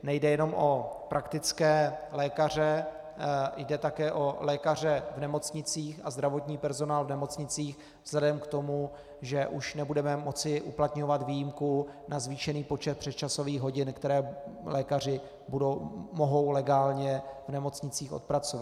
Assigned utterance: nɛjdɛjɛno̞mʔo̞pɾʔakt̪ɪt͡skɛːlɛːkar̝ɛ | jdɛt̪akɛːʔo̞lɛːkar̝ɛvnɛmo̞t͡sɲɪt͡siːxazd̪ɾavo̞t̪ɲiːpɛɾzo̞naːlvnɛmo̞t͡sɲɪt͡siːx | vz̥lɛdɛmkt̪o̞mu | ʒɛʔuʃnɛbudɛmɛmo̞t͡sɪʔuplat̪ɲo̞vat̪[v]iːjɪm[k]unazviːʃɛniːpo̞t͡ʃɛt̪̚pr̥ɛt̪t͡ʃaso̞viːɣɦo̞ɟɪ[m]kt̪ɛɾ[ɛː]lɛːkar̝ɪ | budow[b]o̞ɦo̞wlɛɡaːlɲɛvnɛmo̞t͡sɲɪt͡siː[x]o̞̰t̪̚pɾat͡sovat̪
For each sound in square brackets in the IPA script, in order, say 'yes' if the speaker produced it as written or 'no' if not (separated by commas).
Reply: yes, yes, no, yes, no, yes